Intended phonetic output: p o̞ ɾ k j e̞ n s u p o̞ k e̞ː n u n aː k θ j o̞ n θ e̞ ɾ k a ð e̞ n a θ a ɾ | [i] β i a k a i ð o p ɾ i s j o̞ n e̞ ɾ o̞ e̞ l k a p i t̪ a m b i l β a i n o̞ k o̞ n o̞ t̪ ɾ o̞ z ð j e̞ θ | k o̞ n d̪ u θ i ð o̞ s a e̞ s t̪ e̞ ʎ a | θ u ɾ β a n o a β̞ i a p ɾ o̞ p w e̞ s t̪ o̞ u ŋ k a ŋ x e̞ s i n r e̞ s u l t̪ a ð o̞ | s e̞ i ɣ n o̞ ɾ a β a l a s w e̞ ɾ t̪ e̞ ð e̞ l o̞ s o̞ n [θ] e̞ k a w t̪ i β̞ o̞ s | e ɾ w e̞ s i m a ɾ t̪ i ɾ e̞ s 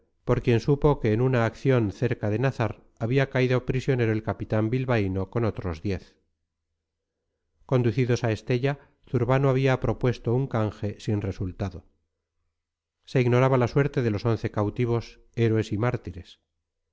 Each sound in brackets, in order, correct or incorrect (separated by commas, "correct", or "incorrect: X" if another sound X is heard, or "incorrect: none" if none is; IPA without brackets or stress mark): incorrect: a, correct